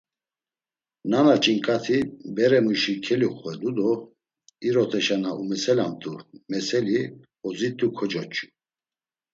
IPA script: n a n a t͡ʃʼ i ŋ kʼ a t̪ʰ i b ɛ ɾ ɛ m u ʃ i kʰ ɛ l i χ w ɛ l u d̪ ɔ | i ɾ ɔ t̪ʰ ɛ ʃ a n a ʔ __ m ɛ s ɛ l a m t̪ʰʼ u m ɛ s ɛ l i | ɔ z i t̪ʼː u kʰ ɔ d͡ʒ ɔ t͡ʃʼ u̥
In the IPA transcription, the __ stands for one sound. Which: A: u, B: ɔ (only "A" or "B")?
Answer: A